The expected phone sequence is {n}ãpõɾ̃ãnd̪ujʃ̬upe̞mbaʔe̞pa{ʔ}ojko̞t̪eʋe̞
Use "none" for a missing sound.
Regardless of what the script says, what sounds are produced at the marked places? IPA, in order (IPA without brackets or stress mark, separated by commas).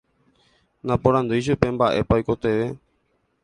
n, none